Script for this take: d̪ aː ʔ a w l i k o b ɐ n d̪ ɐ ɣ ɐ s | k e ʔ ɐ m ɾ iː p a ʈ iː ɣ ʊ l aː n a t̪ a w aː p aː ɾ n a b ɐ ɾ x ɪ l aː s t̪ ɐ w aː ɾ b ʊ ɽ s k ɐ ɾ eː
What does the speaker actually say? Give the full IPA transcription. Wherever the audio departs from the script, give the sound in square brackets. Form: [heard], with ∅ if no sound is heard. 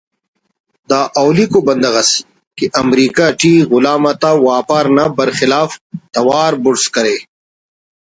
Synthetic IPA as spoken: d̪ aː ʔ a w l i k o b ɐ n d̪ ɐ ɣ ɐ s | k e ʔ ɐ m ɾ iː [k] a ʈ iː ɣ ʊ l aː [m] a t̪ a w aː p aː ɾ n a b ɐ ɾ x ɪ l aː [f] t̪ ɐ w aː ɾ b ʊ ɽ s k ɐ ɾ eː